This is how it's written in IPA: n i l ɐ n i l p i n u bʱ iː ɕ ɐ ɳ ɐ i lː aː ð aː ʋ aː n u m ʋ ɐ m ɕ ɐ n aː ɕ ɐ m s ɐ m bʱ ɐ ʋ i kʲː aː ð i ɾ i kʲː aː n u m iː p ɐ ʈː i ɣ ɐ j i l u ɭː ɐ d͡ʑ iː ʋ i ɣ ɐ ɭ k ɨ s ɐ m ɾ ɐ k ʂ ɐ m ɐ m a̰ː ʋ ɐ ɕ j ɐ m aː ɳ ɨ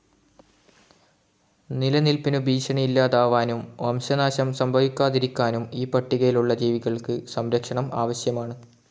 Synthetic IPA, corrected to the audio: n i l ɐ n i l p i n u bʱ iː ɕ ɐ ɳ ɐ i lː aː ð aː ʋ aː n u m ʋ ɐ m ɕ ɐ n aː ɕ ɐ m s ɐ m bʱ ɐ ʋ i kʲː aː ð i ɾ i kʲː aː n u m iː p ɐ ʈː i ɣ ɐ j i l u ɭː ɐ d͡ʑ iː ʋ i ɣ ɐ ɭ k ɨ s ɐ m ɾ ɐ k ʂ ɐ ɳ ɐ m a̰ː ʋ ɐ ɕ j ɐ m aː ɳ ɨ

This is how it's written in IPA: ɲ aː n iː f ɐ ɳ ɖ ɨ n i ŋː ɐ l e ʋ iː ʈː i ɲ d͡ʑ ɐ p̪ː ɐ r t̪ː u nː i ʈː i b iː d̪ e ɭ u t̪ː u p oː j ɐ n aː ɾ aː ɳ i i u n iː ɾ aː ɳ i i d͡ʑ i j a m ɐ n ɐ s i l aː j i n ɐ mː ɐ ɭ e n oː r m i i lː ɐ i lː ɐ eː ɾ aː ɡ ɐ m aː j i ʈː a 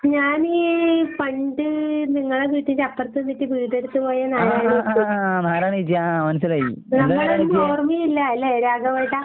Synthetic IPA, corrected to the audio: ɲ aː n iː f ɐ ɳ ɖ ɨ n i ŋː ɐ ɭ e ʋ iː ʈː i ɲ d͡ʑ ɐ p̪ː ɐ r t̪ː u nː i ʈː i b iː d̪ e ɽ u t̪ː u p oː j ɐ n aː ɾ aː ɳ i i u n aː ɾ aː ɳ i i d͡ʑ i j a m ɐ n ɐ s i l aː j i n ɐ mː ɐ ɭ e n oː r m i i lː ɐ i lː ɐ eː ɾ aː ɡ ɐ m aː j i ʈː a

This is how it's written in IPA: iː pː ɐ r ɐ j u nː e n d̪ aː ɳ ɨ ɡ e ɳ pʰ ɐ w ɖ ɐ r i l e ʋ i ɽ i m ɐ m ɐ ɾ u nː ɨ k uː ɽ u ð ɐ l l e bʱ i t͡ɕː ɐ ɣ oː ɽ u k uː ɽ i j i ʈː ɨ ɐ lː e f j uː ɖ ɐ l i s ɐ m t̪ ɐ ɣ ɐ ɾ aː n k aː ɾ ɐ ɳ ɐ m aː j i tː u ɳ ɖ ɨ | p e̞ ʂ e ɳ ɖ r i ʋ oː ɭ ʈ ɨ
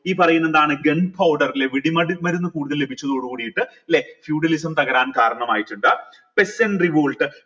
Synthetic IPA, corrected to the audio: iː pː ɐ r ɐ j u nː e n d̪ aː ɳ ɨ ɡ e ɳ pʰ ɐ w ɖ ɐ r i l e ʋ i ɽ i m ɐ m ɐ ɾ u nː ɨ k uː ɽ u ð ɐ l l e bʱ i t͡ɕː ɐ ð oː ɽ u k uː ɽ i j i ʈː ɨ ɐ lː e f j uː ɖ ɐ l i s ɐ m t̪ ɐ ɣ ɐ ɾ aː n k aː ɾ ɐ ɳ ɐ m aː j i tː u ɳ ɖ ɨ | p e̞ s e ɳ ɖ r i ʋ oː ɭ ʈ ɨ

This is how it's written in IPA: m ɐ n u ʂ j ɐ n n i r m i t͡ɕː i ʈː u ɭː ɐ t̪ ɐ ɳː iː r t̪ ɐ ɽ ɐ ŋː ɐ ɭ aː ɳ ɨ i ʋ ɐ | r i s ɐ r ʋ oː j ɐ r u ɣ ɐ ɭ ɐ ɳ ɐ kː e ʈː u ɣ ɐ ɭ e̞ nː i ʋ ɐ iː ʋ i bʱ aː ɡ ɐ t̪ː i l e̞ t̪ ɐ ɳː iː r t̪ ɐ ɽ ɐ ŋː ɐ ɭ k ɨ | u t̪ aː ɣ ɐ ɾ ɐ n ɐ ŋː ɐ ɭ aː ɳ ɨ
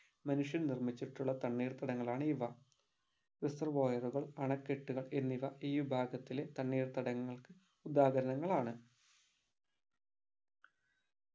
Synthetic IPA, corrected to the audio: m ɐ n u ʂ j ɐ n n i r m i t͡ɕː i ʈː u ɭː ɐ t̪ ɐ ɳː iː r t̪ ɐ ɽ ɐ ŋː ɐ ɭ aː ɳ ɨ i ʋ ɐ | r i s ɐ r ʋ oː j ɐ r u ɣ ɐ ɭ ɐ ɳ ɐ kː e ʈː u ɣ ɐ ɭ e̞ nː i ʋ ɐ iː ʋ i bʱ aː ɡ ɐ t̪ː i l e̞ t̪ ɐ ɳː iː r t̪ ɐ ɽ ɐ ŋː ɐ ɭ k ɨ | u d̪ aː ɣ ɐ ɾ ɐ n ɐ ŋː ɐ ɭ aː ɳ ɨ

